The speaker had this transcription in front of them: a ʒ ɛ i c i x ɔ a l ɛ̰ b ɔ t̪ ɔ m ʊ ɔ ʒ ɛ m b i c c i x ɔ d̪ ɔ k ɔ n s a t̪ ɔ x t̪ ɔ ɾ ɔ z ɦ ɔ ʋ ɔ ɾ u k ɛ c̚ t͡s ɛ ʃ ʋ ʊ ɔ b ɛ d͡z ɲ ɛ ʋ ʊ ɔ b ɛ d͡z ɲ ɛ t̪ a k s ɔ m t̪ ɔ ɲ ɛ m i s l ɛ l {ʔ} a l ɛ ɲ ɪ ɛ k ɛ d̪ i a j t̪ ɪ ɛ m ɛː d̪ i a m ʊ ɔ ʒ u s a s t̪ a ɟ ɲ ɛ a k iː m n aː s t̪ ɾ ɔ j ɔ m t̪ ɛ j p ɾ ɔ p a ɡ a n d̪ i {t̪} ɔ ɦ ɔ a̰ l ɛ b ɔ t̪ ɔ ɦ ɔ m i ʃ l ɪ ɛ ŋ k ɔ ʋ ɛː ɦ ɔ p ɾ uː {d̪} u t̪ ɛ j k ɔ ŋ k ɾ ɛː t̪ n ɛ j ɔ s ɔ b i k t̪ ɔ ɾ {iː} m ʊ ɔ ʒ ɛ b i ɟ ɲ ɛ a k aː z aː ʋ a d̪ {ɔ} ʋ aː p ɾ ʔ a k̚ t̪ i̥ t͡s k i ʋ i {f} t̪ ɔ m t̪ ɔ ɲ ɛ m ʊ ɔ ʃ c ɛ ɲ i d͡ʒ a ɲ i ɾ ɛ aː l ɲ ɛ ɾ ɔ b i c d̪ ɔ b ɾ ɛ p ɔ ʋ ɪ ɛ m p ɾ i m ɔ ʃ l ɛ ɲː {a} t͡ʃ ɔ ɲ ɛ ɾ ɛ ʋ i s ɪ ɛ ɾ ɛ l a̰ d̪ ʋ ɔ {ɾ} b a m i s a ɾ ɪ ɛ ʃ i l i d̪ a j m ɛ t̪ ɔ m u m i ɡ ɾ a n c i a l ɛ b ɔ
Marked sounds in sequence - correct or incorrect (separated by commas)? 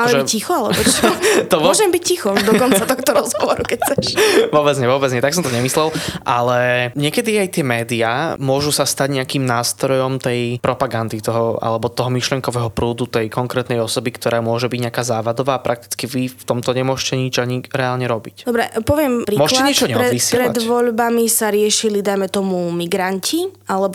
correct, correct, correct, incorrect, correct, correct, incorrect, incorrect